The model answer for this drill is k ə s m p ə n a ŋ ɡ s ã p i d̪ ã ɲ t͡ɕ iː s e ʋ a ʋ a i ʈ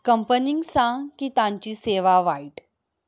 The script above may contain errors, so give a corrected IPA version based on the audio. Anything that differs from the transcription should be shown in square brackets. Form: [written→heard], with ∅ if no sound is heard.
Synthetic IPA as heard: k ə [s→∅] m p ə n [a→i] ŋ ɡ s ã [p→k] i [d̪→t̪] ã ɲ t͡ɕ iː s e ʋ a ʋ a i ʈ